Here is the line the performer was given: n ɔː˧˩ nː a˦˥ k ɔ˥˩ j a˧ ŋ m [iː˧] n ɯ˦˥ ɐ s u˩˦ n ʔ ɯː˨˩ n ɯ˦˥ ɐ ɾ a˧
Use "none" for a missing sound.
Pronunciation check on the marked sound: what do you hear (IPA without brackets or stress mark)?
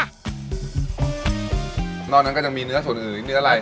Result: iː˧